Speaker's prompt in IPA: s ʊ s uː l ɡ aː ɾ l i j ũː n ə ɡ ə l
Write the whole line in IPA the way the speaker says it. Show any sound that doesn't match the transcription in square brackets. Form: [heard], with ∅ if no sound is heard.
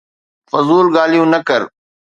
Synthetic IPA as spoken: [f] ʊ [z] uː l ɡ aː [∅] l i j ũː n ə [k] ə [ɾ]